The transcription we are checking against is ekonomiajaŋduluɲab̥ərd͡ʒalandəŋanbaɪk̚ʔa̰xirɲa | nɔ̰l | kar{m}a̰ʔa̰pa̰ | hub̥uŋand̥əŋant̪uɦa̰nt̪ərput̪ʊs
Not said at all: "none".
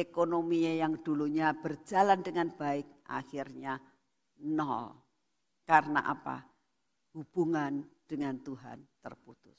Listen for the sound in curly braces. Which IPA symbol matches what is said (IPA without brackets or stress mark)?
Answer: n